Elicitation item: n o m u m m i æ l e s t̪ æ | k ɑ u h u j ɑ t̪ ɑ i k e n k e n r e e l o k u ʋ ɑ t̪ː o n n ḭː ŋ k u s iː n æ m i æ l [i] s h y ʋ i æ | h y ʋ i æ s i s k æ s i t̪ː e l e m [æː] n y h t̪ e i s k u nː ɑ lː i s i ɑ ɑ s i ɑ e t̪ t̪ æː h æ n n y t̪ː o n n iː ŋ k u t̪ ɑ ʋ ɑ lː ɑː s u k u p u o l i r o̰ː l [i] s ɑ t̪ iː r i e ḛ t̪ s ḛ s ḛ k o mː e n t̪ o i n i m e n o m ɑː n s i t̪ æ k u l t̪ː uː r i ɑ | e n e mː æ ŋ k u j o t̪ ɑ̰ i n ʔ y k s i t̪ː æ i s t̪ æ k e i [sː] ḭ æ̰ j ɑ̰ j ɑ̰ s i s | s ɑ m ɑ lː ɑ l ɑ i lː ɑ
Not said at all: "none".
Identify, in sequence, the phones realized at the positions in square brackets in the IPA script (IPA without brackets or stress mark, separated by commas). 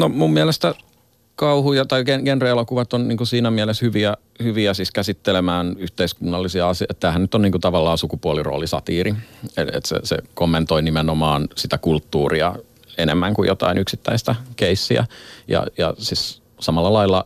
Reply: e, æː, i, sː